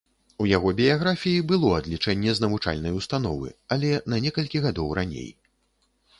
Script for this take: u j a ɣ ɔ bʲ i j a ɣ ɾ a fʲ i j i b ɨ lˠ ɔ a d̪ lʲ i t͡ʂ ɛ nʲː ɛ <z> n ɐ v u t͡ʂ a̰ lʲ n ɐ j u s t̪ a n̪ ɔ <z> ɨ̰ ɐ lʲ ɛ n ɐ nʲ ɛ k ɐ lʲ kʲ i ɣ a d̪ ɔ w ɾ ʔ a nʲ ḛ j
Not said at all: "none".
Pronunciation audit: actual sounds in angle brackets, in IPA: z, v

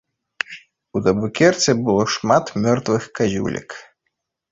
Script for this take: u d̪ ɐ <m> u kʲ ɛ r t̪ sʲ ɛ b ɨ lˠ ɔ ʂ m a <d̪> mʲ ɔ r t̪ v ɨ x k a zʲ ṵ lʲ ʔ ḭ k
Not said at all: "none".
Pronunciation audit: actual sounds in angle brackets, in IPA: b, t̪

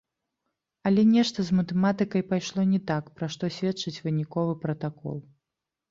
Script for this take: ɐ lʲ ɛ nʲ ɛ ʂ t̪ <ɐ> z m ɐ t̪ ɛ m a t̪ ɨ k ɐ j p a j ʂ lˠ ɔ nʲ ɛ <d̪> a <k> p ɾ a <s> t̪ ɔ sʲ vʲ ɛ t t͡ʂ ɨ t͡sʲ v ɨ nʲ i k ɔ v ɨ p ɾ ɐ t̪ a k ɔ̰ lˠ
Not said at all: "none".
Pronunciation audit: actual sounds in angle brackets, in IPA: ɐ, t̪, k, ʂ

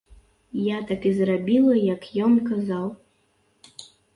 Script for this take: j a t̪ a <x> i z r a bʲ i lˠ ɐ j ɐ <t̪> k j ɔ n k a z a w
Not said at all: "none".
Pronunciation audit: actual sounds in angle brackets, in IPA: k, none

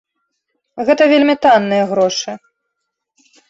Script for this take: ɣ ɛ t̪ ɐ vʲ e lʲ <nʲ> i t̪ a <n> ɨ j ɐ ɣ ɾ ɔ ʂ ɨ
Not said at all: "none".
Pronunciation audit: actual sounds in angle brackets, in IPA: mʲ, nː

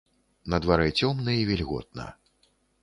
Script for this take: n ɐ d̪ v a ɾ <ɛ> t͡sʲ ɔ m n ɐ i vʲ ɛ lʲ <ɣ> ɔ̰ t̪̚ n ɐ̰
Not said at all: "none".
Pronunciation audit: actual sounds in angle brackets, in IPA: ɛ, ɣ

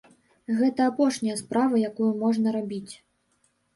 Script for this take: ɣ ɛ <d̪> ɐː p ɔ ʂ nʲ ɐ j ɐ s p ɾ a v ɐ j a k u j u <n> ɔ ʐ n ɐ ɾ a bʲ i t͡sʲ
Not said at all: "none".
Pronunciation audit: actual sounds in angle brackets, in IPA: t̪, m

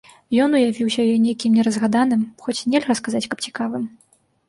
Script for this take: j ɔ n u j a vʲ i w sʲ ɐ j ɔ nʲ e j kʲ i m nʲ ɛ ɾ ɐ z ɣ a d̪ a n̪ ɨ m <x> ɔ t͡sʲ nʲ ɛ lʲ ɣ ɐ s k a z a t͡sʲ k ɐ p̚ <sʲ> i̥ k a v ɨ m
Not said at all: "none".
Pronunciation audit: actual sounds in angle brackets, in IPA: x, t͡sʲ

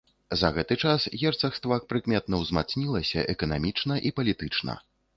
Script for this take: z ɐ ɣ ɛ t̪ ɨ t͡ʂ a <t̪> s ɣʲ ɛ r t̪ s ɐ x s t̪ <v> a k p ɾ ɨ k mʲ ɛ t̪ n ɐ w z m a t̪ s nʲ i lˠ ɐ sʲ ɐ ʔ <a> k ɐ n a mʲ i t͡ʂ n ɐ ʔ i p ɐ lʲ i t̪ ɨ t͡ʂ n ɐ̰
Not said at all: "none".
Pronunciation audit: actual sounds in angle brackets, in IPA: none, v, ɛ

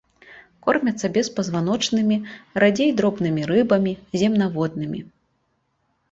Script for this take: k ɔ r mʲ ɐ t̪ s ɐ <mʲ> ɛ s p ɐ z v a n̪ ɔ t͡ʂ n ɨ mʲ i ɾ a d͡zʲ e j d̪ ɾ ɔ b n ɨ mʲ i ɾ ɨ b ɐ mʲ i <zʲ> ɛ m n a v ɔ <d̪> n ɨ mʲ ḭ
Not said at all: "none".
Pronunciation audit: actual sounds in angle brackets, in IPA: bʲ, zʲ, d̪

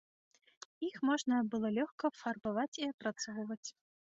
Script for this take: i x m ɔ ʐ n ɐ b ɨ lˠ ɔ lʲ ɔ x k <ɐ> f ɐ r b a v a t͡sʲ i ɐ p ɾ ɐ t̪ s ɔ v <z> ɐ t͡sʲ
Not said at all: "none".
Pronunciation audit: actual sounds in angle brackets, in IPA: ɐ, v

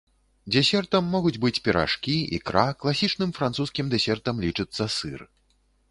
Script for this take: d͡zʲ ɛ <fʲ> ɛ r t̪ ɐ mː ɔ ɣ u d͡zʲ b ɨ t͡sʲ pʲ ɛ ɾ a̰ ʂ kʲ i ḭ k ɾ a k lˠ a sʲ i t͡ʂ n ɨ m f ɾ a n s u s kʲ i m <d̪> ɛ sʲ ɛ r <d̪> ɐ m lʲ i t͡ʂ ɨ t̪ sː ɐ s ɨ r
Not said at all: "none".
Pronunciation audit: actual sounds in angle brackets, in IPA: sʲ, d̪, t̪

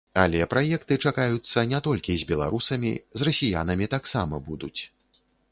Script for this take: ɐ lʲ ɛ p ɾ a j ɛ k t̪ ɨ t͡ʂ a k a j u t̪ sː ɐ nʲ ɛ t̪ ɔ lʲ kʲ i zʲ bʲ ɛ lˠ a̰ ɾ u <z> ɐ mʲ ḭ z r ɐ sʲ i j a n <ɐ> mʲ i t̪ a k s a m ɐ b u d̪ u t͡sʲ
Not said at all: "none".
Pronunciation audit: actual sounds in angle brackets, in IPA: s, ɐ

